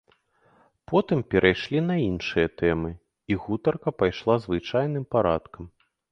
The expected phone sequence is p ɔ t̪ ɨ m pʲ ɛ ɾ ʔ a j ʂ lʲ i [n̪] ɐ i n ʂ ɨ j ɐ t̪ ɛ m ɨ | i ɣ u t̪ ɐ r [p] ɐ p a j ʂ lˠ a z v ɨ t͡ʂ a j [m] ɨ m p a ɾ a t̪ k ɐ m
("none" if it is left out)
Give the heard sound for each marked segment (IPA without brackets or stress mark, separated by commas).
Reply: n̪, k, n